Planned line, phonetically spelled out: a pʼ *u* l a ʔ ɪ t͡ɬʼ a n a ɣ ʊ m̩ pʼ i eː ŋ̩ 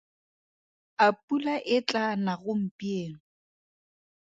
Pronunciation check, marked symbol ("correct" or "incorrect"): correct